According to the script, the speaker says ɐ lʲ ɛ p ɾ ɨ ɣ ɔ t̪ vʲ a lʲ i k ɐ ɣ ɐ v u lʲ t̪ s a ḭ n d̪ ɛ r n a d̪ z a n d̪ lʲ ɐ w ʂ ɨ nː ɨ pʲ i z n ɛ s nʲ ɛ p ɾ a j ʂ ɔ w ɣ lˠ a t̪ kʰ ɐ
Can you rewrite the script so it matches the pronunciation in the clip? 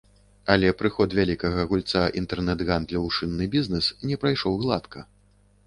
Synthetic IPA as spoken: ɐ lʲ ɛ p ɾ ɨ x ɔ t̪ vʲ a lʲ i k ɐ ɣ ɐ ɣ u lʲ t̪ s a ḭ n t̪ ɛ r n ɛ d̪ ɣ a n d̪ lʲ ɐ w ʂ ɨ nː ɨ bʲ i z n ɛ s nʲ ɛ p ɾ a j ʂ ɔ w ɣ lˠ a t̪ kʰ ɐ